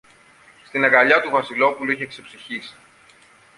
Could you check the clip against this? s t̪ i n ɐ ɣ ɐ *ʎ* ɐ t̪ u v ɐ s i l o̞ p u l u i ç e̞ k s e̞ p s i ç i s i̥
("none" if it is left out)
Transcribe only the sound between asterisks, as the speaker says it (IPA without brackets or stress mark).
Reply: ʎ